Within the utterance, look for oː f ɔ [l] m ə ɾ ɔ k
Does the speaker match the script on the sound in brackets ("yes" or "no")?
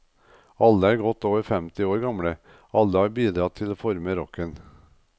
no